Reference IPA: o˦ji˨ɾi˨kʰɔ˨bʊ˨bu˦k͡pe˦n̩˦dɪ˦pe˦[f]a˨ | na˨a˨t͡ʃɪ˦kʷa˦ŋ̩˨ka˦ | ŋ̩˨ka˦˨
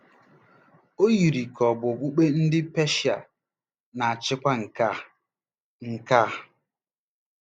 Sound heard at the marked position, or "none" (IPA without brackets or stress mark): ʃ